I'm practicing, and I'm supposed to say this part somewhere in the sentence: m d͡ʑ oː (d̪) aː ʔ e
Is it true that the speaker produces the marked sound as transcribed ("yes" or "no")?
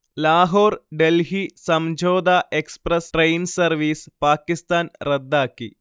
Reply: yes